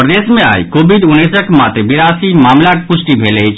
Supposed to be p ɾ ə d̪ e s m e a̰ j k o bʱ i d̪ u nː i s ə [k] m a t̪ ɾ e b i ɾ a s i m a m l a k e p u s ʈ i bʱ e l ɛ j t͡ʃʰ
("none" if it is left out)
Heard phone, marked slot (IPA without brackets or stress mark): k